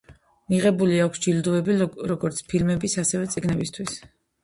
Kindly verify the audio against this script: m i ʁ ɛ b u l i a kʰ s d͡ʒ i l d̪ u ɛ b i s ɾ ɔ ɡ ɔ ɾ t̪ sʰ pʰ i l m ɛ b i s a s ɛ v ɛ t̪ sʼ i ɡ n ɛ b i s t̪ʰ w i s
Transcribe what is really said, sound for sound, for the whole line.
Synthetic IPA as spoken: m i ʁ ɛ b u l i a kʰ s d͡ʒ i l d̪ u ɛ b i ɾ ɔ ɡ ɔ ɾ t̪ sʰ pʰ i l m ɛ b i s a s ɛ v ɛ t̪ sʼ i ɡ n ɛ b i s t̪ʰ w i s

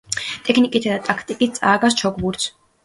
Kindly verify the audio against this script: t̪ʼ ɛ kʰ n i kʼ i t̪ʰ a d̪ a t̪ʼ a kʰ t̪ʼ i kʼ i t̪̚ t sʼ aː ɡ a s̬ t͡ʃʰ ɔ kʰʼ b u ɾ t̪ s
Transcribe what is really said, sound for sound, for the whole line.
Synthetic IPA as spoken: t̪ʼ ɛ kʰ n i kʼ i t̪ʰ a d̪ a t̪ʼ a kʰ t̪ʼ i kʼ i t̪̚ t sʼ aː ɡ a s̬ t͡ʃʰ ɔ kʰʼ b u ɾ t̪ s

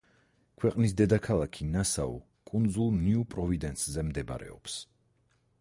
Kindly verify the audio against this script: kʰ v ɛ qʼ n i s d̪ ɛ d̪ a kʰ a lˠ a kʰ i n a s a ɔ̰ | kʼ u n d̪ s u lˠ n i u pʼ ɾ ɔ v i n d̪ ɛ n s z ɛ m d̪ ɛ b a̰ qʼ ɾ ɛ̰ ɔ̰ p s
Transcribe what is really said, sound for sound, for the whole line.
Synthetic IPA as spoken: kʰ w ɛ qʼ n i s d̪ ɛ d̪ a kʰ a lˠ a kʰ i n a s a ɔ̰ | kʼ u n d̪ z u lˠ n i u pʼ ɾ ɔ v i d̪ ɛ n s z ɛ m d̪ ɛ b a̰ ɾ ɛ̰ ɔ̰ p s

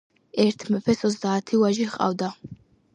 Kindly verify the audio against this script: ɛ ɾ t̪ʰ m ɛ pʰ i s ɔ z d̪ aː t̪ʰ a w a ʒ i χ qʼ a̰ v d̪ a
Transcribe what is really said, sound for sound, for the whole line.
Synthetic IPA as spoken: ɛ ɾ t̪ʰ m ɛ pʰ ɛ s ɔ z d̪ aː t̪ʰ i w a ʒ i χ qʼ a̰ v d̪ a

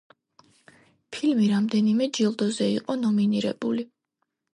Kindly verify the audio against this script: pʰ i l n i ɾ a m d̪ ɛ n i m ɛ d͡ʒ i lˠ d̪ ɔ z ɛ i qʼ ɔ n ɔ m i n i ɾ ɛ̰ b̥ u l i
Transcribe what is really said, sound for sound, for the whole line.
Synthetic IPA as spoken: pʰ i l m i ɾ a m d̪ ɛ n i m ɛ d͡ʒ i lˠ d̪ ɔ z ɛ i qʼ ɔ n ɔ m i n i ɾ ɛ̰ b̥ u l i

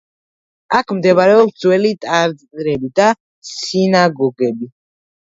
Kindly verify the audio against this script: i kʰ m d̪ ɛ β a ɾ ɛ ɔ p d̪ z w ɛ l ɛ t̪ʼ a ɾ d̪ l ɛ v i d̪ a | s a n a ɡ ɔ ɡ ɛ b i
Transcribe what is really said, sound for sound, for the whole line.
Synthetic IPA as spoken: a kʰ m d̪ ɛ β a ɾ ɛ ɔ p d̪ z w ɛ l i t̪ʼ a ɾ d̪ ɾ ɛ b i d̪ a | s i n a ɡ ɔ ɡ ɛ b i

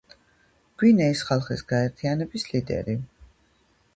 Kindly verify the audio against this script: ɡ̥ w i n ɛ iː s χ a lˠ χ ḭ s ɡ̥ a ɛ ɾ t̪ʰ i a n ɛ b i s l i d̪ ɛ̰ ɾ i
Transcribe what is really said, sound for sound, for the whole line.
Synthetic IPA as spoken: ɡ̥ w i n ɛ i s χ a lˠ χ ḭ s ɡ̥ a ɛ ɾ t̪ʰ i a n ɛ b i s l i d̪ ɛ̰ ɾ i

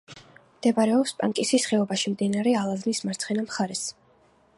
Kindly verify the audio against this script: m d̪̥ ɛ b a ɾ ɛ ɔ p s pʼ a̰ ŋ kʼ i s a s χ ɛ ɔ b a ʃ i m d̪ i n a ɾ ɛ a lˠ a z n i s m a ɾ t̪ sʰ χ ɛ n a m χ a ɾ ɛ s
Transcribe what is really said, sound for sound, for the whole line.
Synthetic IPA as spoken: m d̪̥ ɛ b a ɾ ɛ ɔ p s pʼ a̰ ŋ kʼ i s i s χ ɛ ɔ b a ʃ i m d̪ i n a ɾ ɛ a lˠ a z n i s m a ɾ t̪ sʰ χ ɛ n a m χ a ɾ ɛ s

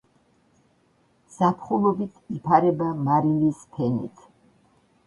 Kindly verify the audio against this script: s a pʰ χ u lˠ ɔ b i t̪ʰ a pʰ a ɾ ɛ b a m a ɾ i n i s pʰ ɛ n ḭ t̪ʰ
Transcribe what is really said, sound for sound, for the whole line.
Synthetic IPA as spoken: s a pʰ χ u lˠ ɔ b i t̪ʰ i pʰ a ɾ ɛ b a m a ɾ i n i s pʰ ɛ n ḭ t̪ʰ

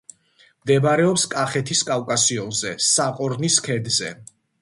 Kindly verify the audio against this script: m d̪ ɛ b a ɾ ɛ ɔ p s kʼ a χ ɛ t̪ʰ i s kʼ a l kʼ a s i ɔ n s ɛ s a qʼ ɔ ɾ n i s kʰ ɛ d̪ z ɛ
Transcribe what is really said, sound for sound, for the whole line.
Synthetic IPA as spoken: m d̪ ɛ b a ɾ ɛ ɔ p s kʼ a χ ɛ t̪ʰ i s kʼ a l kʼ a s i ɔ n z ɛ s a qʼ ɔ ɾ n i s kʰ ɛ d̪ z ɛ

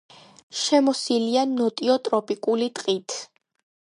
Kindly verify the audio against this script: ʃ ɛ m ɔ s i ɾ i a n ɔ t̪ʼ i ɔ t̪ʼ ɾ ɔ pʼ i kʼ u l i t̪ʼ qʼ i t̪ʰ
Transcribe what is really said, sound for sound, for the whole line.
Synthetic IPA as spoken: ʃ ɛ m ɔ s i l i a n ɔ t̪ʼ i ɔ t̪ʼ ɾ ɔ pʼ i kʼ u l i t̪ʼ qʼ i t̪ʰ

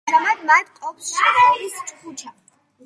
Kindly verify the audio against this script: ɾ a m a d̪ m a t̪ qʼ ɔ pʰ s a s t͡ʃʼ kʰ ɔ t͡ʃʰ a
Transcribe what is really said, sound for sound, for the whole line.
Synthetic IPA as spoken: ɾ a m a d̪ m a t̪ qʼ ɔ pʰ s i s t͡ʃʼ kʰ u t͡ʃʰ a

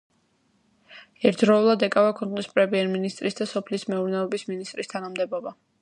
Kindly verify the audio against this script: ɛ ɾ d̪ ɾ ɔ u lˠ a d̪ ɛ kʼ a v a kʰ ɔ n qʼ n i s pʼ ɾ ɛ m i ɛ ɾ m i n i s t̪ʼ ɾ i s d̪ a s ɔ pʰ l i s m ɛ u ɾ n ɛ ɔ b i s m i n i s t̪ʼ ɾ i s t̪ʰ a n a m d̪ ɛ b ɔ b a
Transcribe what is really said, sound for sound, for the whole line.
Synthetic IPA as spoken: ɛ ɾ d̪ ɾ ɔ u lˠ a d̪ ɛ kʼ a v a kʰ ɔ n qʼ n i s pʼ ɾ ɛ m i ɛ ɾ m i n i s t̪ʼ ɾ i s d̪ a s ɔ pʰ l i s m ɛ u ɾ n ɛ ɔ b i s m i n i s t̪ʼ ɾ i s t̪ʰ a n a m d̪ ɛ b ɔ b a

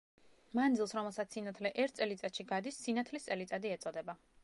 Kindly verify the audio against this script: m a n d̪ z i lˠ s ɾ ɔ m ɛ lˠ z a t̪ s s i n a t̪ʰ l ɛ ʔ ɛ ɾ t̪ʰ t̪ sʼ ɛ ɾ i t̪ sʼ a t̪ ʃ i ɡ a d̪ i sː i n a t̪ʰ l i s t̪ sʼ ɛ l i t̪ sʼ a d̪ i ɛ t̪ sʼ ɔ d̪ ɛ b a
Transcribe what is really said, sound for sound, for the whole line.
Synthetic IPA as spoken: m a n d̪ z i lˠ s ɾ ɔ m ɛ lˠ s a t̪ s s i n a t̪ʰ l ɛ ʔ ɛ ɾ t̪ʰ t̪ sʼ ɛ l i t̪ sʼ a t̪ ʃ i ɡ a d̪ i sː i n a t̪ʰ l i s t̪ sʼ ɛ l i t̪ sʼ a d̪ i ɛ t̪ sʼ ɔ d̪ ɛ b a

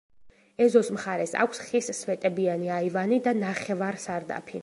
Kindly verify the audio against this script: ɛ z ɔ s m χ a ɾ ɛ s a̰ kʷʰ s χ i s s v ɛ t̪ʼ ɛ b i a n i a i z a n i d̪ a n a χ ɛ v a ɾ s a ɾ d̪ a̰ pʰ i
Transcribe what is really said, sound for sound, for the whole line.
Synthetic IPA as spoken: ɛ z ɔ s m χ a ɾ ɛ s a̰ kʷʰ s χ i s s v ɛ t̪ʼ ɛ b i a n i a i v a n i d̪ a n a χ ɛ v a ɾ s a ɾ d̪ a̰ pʰ i

